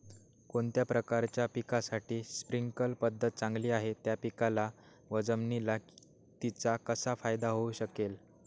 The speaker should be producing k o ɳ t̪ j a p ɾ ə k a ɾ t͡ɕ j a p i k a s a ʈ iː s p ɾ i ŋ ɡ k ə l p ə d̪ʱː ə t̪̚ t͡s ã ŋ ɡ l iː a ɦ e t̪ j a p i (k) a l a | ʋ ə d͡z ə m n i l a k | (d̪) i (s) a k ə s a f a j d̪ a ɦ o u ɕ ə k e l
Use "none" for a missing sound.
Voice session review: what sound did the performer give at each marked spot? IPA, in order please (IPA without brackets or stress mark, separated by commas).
k, t̪, t͡s